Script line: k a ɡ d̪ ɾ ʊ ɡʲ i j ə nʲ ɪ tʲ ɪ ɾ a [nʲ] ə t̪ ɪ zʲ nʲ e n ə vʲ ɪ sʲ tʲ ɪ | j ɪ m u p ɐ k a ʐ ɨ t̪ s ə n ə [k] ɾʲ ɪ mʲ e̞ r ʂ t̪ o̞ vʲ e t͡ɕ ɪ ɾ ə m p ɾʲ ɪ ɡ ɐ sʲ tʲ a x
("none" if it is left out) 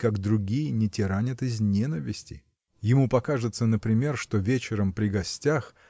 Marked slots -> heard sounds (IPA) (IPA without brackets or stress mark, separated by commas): nʲ, p